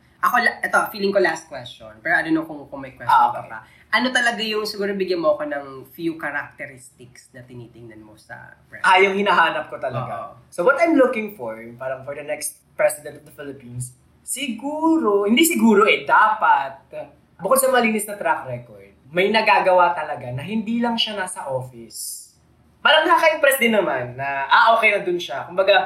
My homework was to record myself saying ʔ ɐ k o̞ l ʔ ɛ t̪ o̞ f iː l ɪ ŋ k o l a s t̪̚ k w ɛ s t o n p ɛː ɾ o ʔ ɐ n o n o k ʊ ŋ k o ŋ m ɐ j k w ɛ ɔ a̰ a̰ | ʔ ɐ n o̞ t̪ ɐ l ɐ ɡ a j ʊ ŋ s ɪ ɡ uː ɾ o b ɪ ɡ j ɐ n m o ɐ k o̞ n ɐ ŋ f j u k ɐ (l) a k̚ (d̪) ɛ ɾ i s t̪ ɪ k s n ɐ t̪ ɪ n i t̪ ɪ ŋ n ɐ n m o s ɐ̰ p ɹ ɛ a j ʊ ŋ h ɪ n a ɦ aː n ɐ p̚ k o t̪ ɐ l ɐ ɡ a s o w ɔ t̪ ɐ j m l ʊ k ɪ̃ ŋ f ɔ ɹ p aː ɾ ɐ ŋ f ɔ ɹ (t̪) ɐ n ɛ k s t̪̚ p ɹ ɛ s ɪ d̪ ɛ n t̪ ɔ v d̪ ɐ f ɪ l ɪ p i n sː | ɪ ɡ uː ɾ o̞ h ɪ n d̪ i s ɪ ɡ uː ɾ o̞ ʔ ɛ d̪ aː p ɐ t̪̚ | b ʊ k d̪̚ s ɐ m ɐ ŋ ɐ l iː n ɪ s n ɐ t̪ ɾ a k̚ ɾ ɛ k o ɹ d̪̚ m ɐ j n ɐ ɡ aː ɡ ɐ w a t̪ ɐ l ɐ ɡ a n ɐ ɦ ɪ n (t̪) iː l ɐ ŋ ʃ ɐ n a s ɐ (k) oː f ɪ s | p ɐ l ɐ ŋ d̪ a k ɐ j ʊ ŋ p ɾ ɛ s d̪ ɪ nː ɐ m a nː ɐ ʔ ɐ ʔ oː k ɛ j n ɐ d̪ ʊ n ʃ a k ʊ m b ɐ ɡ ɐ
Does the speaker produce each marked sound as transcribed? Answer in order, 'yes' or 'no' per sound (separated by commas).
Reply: no, no, no, no, no